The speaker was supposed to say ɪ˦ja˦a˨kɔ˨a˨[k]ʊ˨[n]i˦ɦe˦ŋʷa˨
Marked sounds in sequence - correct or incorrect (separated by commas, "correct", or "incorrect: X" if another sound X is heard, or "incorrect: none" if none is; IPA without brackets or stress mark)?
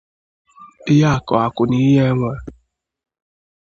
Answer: correct, correct